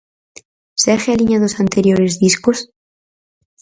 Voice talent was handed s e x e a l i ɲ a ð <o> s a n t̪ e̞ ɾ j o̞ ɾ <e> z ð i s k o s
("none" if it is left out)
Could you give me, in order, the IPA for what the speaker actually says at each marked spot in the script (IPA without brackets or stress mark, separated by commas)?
o, e